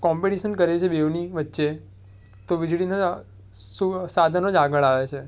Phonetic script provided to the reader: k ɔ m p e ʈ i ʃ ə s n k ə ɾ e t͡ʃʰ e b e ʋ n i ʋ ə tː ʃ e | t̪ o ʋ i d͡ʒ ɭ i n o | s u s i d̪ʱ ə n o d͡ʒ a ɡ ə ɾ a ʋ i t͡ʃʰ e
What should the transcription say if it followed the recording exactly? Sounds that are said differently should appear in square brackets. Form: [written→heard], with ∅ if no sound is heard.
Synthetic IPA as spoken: k ɔ m p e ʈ i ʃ ə [s→∅] n k ə ɾ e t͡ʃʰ e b e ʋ n i ʋ ə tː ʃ e | t̪ o ʋ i d͡ʒ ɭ i n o | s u s [i→a] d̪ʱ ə n o d͡ʒ a ɡ ə [ɾ→ɭ] a ʋ [i→e] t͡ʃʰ e